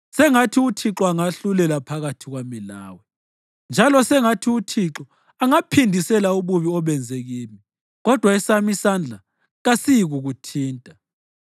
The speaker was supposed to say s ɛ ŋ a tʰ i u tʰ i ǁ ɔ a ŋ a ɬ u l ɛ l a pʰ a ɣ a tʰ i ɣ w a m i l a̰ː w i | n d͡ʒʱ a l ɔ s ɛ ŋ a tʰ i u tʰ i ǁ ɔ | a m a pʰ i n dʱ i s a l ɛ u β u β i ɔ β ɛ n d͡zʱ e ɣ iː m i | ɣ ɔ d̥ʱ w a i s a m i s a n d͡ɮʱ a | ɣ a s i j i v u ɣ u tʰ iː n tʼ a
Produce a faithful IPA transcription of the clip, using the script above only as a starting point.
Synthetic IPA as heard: s ɛ ŋ a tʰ i u tʰ i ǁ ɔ a ŋ a ɬ u l ɛ l a pʰ a ɣ a tʰ i ɣ w a m i l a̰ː w ɛ | n d͡ʒʱ a l ɔ s ɛ ŋ a tʰ i u tʰ i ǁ ɔ | a ŋ a pʰ i n dʱ i s ɛ l a u β u β i ɔ β ɛ n d͡zʱ e ɣ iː m i | ɣ ɔ d̥ʱ w a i s a m i s a n d͡ɮʱ a | ɣ a s i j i ɣ u ɣ u tʰ iː n tʼ a